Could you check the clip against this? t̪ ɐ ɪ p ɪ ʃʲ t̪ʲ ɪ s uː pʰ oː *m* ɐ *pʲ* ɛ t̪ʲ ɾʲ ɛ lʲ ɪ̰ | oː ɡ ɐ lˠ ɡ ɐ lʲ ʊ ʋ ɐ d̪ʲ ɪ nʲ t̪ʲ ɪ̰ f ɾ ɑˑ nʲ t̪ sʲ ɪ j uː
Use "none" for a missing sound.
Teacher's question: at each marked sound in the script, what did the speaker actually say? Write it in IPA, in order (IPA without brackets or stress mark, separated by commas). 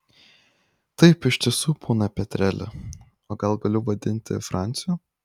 n, pʲ